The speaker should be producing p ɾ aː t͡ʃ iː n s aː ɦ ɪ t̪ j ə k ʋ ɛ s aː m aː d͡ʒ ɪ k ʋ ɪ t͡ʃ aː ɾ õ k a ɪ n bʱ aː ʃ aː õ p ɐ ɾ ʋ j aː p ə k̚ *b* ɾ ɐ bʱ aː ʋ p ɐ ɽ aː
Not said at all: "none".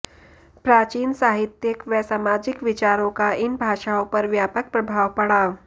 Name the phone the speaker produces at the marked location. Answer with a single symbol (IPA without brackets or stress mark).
p